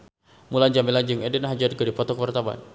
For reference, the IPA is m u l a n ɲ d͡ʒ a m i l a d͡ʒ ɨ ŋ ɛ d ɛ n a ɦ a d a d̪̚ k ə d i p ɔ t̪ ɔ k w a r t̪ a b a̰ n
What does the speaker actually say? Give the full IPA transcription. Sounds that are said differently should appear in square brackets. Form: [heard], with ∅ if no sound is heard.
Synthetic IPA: m u l a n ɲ d͡ʒ a m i l a d͡ʒ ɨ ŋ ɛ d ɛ n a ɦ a [d͡ʒ] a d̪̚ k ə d i p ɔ t̪ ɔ k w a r t̪ a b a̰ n